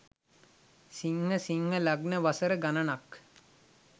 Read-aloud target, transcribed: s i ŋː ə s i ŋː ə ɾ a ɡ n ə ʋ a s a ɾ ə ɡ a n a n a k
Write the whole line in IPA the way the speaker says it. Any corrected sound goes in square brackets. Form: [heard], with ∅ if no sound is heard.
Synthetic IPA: s i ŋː ə s i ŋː ə [l] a ɡ n ə ʋ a s [ə] ɾ ə ɡ a n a n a k